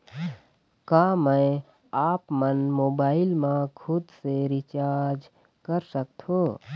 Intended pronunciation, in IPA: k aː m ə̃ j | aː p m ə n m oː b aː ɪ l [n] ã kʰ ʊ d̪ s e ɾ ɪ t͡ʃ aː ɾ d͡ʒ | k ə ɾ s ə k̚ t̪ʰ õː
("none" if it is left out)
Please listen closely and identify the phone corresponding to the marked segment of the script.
m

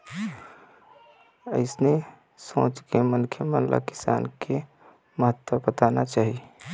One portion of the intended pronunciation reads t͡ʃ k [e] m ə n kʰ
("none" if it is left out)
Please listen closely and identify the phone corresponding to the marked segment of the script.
e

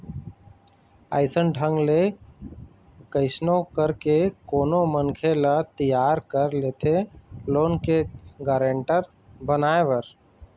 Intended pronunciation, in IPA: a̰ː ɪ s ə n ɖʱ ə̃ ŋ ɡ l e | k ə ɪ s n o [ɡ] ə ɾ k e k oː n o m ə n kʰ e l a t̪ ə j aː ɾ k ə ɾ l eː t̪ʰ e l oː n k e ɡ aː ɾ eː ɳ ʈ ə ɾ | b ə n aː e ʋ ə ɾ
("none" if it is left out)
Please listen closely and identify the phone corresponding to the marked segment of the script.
k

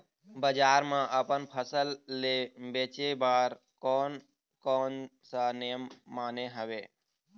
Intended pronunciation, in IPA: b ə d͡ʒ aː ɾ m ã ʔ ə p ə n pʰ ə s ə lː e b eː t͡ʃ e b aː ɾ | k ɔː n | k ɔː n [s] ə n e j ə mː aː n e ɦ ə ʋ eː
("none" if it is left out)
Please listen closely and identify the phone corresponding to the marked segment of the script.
s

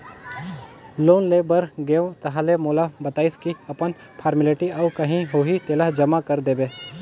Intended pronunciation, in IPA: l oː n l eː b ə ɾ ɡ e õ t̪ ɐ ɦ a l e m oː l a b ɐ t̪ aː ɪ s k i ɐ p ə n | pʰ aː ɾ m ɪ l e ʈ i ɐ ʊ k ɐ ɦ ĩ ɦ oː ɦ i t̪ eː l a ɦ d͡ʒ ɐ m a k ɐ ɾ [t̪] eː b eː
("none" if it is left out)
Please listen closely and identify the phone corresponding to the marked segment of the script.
d̪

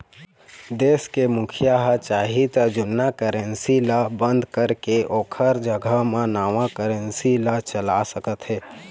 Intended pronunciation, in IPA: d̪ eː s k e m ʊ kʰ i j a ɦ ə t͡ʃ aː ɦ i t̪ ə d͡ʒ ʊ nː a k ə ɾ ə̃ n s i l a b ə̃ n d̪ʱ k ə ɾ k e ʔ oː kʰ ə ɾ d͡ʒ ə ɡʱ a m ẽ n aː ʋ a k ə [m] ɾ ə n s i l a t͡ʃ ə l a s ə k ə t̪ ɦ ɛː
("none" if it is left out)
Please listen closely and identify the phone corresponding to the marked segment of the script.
none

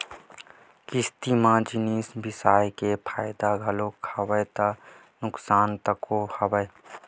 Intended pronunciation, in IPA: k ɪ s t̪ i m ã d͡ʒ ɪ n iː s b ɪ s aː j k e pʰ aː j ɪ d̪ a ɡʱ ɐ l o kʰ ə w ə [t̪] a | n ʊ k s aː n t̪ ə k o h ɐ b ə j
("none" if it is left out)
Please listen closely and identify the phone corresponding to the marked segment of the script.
t̪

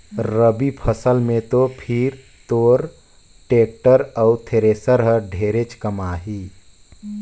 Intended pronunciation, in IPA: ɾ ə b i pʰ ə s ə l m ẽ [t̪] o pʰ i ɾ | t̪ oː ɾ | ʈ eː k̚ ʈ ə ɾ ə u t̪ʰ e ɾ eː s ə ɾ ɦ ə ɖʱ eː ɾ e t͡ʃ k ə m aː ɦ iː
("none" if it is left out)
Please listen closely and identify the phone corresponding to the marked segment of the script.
t̪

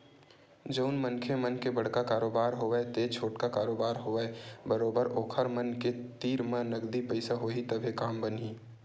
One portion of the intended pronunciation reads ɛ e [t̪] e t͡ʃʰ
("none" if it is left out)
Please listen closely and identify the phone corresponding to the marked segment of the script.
t̪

